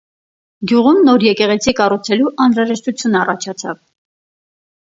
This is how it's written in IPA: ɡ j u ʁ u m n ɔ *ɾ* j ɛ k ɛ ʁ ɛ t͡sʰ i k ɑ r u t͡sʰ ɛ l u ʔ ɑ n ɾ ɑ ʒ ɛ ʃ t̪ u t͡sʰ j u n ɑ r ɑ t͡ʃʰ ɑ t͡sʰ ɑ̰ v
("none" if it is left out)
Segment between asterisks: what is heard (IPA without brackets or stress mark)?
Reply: ɾ